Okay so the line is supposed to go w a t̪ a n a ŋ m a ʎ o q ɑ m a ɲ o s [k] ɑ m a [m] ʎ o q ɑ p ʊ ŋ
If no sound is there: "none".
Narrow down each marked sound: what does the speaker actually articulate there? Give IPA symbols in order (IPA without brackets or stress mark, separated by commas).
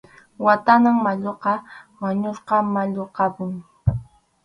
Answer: q, none